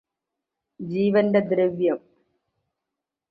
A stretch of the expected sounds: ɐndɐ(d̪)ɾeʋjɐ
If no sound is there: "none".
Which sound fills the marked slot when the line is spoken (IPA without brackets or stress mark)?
d̪